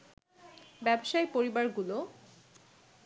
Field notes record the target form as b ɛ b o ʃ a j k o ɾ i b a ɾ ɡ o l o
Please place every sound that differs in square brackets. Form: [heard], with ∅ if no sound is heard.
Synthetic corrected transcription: b ɛ b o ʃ a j [p] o ɾ i b a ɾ ɡ [u] l o